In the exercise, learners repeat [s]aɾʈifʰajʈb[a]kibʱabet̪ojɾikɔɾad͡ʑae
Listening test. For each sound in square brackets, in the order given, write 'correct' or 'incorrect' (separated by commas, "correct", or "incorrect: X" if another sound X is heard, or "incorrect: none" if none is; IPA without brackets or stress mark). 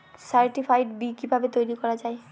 correct, incorrect: i